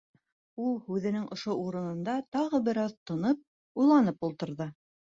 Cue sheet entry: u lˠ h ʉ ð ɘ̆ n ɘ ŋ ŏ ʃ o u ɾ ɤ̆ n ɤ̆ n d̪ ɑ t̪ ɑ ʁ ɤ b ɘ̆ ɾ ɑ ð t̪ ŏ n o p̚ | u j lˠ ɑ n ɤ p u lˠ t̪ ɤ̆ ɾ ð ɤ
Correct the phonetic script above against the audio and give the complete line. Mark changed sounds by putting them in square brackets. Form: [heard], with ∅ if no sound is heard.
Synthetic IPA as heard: u lˠ h ʉ ð ɘ̆ n ɘ ŋ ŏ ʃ o u ɾ ɤ̆ n ɤ̆ n d̪ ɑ t̪ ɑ ʁ ɤ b ɘ̆ ɾ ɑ ð t̪ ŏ n [ɤ] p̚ | u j lˠ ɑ n ɤ p u lˠ t̪ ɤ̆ ɾ ð ɤ